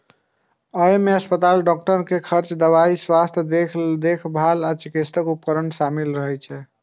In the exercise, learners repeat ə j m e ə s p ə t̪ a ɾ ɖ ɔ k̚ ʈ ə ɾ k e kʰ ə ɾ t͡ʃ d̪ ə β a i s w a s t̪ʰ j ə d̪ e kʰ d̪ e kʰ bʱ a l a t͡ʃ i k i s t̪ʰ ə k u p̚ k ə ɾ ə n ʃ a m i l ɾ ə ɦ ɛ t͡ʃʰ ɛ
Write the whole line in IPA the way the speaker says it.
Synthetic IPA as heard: ə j m e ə s p ə t̪ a l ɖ ɔ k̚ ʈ ə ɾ k e kʰ ə ɾ t͡ʃ d̪ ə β a i s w a s t̪ʰ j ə d̪ e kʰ d̪ e kʰ bʱ a l a t͡ʃ i k i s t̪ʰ ə k u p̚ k ə ɾ ə n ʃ a m i l ɾ ə ɦ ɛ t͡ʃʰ ɛ